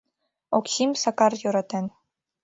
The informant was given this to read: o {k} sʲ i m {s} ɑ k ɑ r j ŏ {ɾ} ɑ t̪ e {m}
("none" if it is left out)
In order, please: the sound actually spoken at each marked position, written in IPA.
k, s, ɾ, n

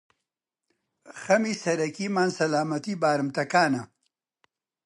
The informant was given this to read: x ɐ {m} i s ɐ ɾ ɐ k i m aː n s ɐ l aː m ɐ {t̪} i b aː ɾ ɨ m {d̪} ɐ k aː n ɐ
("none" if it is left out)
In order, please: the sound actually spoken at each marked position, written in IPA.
m, t̪, t̪

